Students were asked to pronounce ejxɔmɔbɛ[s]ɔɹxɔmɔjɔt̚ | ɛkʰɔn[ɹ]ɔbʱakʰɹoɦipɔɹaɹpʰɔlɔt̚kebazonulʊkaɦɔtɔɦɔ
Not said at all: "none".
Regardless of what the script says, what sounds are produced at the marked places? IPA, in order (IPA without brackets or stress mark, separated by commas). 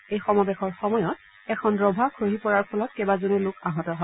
x, ɹ